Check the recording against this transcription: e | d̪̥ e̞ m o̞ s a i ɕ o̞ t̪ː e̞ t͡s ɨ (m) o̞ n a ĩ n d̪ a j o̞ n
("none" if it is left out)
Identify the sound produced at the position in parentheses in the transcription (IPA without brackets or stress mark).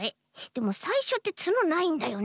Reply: n